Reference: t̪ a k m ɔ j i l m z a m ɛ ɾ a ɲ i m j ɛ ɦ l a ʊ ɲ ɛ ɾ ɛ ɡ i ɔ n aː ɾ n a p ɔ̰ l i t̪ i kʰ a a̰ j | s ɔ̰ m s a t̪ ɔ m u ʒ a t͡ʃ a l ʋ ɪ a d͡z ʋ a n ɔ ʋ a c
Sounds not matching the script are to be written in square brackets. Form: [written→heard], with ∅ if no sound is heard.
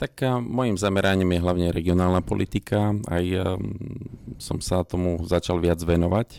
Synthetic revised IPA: t̪ a k m ɔ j i [l→∅] m z a m ɛ ɾ a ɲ i m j ɛ ɦ l a ʊ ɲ ɛ ɾ ɛ ɡ i ɔ n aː [ɾ→l] n a p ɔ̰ l i t̪ i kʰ a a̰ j | s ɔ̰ m s a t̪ ɔ m u [ʒ→z] a t͡ʃ a l ʋ ɪ a d͡z ʋ [a→ɛ] n ɔ ʋ a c